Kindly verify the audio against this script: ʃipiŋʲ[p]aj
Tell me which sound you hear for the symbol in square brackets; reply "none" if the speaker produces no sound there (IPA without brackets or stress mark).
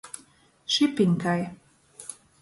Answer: k